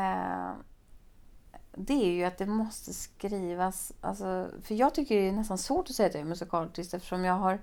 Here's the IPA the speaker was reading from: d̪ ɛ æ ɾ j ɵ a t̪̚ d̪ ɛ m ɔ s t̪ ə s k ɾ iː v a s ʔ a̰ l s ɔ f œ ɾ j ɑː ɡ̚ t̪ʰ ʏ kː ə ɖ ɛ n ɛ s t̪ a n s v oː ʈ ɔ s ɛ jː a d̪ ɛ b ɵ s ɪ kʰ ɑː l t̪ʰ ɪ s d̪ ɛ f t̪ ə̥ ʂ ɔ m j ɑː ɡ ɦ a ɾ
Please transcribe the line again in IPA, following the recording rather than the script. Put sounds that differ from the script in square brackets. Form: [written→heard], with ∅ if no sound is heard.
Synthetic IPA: d̪ ɛ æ ɾ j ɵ a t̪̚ d̪ ɛ m ɔ s t̪ ə s k ɾ iː v a s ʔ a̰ l s ɔ f œ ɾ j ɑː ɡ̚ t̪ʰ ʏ kː ə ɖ ɛ n ɛ s t̪ a n s v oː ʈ ɔ s ɛ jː a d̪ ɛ [b→m] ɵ s ɪ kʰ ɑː l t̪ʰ ɪ s [d̪→t̪] ɛ f t̪ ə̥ ʂ ɔ m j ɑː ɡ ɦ a ɾ